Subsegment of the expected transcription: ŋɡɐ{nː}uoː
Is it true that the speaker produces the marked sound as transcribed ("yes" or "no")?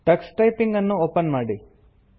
yes